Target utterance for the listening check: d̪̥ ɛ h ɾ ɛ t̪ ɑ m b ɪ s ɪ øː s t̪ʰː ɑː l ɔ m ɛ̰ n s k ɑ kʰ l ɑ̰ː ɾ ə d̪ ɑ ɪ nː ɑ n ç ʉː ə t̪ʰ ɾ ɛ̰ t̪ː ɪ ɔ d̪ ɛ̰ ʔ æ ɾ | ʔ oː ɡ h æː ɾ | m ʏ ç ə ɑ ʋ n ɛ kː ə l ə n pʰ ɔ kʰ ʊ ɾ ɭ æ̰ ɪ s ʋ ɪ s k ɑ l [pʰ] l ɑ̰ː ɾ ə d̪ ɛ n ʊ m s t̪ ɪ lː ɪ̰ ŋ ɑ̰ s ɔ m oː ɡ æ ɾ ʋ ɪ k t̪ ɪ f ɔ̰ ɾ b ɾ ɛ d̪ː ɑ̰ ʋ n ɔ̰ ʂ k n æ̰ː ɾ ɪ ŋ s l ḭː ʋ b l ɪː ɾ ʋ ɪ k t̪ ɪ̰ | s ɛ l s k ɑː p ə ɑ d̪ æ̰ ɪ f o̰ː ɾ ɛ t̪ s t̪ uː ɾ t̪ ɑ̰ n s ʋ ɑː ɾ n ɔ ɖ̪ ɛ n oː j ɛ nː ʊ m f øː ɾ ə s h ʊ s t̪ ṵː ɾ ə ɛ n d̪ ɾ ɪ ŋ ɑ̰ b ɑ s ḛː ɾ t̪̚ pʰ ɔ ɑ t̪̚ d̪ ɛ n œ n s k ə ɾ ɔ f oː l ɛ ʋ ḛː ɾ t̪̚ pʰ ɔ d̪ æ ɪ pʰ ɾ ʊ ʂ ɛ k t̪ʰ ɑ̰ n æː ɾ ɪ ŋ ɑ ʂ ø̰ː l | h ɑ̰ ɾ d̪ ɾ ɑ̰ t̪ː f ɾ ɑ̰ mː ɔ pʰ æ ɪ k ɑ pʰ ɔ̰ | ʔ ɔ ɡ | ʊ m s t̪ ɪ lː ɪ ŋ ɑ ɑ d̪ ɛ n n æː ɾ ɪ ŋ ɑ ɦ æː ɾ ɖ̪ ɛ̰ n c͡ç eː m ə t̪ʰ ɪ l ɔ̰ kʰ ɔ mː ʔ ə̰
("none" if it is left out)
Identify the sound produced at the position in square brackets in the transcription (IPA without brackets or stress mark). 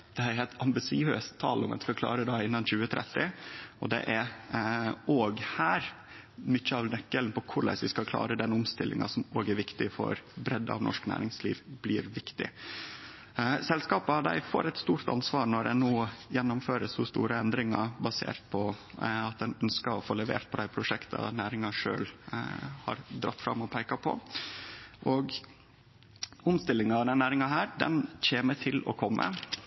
kʰ